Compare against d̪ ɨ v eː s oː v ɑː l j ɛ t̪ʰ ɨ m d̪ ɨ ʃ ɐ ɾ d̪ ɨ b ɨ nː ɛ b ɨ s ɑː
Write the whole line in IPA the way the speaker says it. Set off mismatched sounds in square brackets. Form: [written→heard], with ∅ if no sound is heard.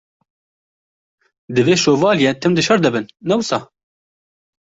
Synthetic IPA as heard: d̪ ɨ v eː [s→ʃ] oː v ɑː l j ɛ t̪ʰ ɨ m d̪ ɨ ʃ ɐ ɾ d̪ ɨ b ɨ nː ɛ [b→w] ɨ s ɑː